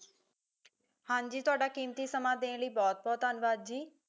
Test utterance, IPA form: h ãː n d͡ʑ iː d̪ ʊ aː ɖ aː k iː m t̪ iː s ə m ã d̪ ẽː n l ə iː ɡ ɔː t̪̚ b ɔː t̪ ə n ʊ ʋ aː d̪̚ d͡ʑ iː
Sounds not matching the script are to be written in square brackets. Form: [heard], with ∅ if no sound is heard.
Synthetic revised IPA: h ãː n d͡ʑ iː [t̪] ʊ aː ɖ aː k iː m t̪ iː s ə m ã d̪ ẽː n l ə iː [b] ɔː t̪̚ b ɔː t̪ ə n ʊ ʋ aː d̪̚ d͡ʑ iː